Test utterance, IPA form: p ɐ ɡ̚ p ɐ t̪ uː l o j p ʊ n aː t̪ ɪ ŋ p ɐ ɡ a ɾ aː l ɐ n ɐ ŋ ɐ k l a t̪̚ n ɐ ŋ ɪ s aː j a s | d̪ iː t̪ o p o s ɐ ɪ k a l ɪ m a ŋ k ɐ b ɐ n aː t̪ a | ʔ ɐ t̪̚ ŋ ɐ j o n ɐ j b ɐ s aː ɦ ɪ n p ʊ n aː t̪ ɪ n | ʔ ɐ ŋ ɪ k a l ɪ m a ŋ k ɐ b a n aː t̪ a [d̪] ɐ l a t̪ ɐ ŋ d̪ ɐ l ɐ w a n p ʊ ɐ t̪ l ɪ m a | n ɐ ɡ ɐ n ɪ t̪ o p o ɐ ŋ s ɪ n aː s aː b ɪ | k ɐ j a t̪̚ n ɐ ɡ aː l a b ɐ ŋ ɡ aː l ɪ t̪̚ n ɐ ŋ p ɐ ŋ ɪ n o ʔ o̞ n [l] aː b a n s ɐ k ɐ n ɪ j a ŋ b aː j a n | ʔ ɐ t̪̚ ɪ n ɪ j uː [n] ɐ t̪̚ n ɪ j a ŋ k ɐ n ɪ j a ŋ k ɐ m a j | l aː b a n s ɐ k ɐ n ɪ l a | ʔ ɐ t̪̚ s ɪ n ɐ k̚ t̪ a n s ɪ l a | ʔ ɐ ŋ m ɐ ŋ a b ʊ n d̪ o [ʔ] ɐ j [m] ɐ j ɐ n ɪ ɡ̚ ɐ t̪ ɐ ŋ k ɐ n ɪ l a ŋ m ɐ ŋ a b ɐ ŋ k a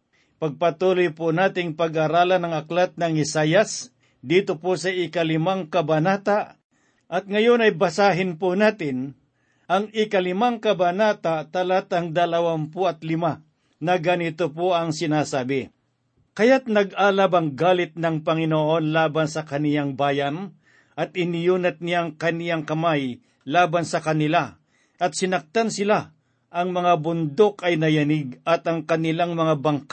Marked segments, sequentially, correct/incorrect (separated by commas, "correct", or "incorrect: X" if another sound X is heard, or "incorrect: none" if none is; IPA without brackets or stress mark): incorrect: t̪, correct, correct, incorrect: k, incorrect: n